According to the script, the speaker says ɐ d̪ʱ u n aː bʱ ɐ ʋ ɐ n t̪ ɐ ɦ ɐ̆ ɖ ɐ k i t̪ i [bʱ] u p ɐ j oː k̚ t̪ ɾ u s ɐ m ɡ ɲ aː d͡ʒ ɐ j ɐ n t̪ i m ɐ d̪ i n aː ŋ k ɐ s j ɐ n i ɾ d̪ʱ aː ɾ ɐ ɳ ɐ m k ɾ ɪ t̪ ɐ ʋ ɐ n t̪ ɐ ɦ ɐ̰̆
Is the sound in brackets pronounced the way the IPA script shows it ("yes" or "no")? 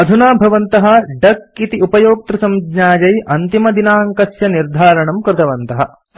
no